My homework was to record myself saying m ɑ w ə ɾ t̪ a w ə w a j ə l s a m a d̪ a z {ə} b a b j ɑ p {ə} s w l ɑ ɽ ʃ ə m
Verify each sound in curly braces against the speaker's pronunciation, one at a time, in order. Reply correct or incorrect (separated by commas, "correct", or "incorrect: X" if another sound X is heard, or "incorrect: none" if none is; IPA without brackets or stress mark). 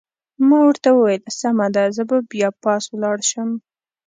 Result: correct, incorrect: ɑ